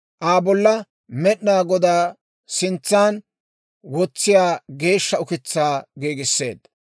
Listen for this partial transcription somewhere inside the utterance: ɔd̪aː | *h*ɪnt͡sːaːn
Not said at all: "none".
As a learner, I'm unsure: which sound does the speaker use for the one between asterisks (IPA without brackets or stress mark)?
s